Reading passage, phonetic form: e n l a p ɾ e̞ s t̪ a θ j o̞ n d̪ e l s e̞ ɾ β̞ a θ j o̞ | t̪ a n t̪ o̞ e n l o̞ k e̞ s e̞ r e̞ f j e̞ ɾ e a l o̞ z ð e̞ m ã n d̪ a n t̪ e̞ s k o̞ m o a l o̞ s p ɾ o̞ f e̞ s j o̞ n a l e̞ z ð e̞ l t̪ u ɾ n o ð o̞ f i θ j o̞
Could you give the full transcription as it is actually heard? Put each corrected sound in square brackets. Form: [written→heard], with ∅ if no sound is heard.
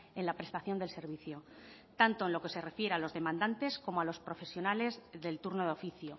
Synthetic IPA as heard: e n l a p ɾ e̞ s t̪ a θ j o̞ n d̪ e l s e̞ ɾ β̞ [a→i] θ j o̞ | t̪ a n t̪ o̞ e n l o̞ k e̞ s e̞ r e̞ f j e̞ ɾ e a l o̞ z ð e̞ m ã n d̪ a n t̪ e̞ s k o̞ m o a l o̞ s p ɾ o̞ f e̞ s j o̞ n a l e̞ z ð e̞ l t̪ u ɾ n o ð o̞ f i θ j o̞